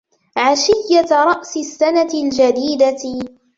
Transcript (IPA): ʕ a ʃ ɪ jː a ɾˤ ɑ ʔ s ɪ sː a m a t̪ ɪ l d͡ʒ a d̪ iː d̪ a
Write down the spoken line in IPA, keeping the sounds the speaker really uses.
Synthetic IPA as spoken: ʕ a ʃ ɪ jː a ɾˤ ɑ ʔ s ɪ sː a n a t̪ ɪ l d͡ʒ a d̪ iː d̪ a

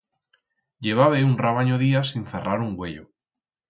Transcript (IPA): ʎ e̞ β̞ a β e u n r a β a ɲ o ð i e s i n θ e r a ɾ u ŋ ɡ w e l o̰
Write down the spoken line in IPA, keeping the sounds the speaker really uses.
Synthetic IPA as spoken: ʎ e̞ β̞ a β e u n r a β a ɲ o ð i a s i n θ e r a ɾ u ŋ ɡ w e ʎ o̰

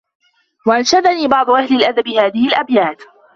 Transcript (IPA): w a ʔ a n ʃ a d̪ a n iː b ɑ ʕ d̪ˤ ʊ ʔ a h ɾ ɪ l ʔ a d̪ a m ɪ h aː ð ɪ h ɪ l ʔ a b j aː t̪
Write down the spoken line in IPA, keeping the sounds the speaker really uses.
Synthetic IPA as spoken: w a ʔ a n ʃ a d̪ a n iː b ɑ ʕ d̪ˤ ʊ ʔ a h l ɪ l ʔ a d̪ a b ɪ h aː ð ɪ h ɪ l ʔ a b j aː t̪

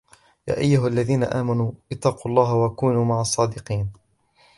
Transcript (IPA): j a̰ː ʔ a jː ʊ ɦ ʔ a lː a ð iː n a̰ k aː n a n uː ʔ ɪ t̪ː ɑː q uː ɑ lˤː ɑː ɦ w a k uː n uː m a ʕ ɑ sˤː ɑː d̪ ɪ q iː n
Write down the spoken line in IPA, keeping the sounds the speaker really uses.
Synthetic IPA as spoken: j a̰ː ʔ a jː ʊ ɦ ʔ a lː a ð iː n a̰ ʔ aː m a n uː ʔ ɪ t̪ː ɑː q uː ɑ lˤː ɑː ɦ w a k uː n uː m a ʕ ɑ sˤː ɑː d̪ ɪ q iː n

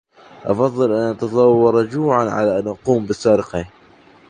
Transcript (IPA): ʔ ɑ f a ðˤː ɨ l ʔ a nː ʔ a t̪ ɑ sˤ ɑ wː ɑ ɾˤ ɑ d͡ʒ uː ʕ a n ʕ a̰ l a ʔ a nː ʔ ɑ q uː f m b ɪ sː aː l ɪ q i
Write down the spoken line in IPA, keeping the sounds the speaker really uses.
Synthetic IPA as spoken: ʔ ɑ f ɑ ðˤː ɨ l ʔ a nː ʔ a t̪ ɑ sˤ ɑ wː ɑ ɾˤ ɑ d͡ʒ uː ʕ a n ʕ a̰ l a ʔ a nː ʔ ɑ q uː m b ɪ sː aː ɾ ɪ q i

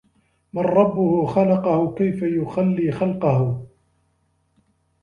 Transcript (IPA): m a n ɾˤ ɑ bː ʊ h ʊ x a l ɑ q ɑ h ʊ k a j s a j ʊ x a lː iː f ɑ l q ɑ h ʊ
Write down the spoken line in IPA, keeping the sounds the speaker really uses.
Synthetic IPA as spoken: m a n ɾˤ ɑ bː ʊ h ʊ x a l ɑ q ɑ h ʊ k a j f a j ʊ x a lː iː x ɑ l q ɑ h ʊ

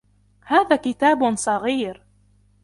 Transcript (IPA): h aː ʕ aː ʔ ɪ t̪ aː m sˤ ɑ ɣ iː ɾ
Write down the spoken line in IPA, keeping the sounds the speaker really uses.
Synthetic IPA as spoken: h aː ð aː k ɪ t̪ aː b sˤ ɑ ɣ iː ɾ

